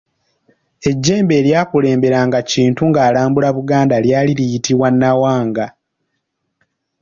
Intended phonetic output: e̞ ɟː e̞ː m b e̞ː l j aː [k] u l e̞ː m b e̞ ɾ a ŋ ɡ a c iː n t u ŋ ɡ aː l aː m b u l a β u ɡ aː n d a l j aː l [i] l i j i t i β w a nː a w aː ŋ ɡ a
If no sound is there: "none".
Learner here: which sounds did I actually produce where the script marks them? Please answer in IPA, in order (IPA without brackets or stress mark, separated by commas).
k, i